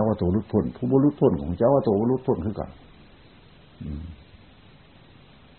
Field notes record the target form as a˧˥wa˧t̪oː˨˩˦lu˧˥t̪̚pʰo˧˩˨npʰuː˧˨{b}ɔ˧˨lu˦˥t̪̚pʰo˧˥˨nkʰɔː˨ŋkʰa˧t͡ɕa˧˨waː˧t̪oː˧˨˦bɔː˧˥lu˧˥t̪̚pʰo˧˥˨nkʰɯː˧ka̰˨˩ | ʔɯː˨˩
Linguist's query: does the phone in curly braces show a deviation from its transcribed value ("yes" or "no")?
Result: no